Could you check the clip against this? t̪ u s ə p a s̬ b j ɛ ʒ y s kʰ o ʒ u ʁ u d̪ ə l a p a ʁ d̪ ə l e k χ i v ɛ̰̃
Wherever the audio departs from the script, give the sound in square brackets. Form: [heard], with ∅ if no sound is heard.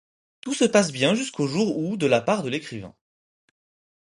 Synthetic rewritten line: t̪ u s ə p a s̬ b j [ɛ̃] ʒ y s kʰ o ʒ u ʁ u d̪ ə l a p a ʁ d̪ ə l e k χ i v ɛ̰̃